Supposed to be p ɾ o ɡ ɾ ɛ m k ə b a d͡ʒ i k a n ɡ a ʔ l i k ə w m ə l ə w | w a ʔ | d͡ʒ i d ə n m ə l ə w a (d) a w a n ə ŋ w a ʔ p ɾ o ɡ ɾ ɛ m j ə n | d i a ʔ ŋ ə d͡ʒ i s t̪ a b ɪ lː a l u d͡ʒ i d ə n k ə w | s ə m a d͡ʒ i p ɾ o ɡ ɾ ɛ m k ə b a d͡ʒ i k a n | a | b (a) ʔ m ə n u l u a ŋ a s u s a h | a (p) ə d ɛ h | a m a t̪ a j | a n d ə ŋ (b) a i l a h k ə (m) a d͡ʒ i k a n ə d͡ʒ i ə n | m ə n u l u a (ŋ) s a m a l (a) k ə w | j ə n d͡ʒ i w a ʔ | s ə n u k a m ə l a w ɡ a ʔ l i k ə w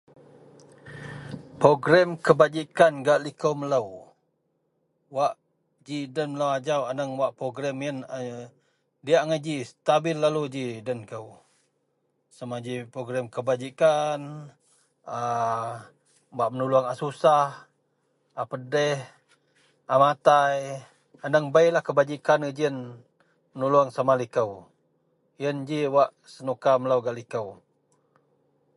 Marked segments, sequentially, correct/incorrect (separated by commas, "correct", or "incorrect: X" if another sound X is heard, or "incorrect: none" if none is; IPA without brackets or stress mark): incorrect: d͡ʒ, correct, correct, correct, incorrect: b, correct, incorrect: i